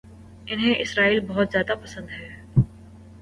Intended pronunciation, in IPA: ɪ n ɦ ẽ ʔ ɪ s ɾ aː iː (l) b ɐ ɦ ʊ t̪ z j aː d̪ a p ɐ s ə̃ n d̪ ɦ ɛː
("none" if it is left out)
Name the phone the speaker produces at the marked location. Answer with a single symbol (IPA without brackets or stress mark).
l